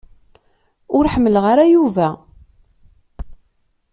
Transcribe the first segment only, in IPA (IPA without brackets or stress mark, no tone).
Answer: ʊ